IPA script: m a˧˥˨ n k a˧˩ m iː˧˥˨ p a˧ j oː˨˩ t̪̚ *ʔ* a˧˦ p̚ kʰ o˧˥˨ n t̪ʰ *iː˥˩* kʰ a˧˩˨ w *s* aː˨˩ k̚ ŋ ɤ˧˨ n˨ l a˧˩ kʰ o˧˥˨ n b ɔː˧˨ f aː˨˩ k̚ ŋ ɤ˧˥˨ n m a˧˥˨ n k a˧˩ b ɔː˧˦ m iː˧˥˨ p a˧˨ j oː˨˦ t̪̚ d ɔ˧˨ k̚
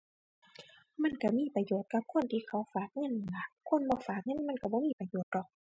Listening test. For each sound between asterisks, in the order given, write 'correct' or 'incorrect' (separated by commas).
incorrect, incorrect, incorrect